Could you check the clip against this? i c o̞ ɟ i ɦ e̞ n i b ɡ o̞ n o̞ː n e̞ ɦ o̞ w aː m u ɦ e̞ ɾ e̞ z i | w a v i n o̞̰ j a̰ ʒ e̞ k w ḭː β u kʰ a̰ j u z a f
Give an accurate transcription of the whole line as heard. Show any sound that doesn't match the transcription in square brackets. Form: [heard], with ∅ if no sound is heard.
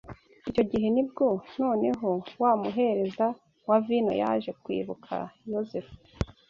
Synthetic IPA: i c o̞ ɟ i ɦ e̞ n i b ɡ o̞ n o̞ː n e̞ ɦ o̞ w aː m u ɦ e̞ ɾ e̞ z [a] | w a v i n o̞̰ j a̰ ʒ e̞ k w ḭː β u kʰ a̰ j [o] z [e] f